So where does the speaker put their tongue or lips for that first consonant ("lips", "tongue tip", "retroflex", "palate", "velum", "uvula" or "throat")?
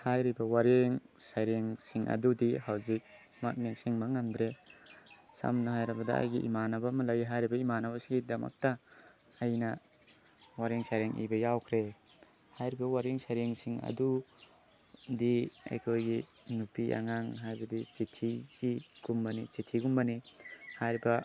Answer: throat